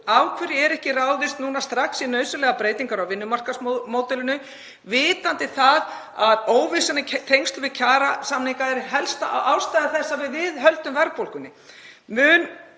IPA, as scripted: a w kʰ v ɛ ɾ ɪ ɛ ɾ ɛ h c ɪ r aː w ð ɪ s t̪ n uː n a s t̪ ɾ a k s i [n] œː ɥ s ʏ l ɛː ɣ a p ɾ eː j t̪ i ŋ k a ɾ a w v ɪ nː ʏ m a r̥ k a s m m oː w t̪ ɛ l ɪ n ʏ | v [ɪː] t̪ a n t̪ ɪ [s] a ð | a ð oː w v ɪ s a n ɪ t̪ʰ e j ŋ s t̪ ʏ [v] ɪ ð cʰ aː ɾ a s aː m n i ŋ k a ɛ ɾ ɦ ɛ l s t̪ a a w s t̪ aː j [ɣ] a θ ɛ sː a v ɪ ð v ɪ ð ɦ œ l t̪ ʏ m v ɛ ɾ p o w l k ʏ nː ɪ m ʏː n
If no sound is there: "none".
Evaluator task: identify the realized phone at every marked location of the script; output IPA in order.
n, ɪː, θ, v, ð

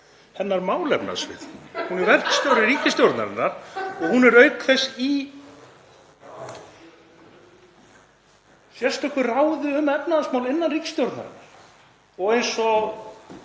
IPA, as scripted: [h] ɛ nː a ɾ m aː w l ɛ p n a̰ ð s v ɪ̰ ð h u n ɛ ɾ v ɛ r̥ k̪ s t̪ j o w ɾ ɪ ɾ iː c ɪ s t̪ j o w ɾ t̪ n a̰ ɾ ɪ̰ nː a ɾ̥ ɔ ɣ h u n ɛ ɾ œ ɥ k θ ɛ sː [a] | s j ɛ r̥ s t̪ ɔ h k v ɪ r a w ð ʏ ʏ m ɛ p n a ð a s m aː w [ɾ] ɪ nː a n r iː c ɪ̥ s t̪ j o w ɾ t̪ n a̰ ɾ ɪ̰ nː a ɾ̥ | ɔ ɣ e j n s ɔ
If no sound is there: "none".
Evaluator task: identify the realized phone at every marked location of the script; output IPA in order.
h, i, l

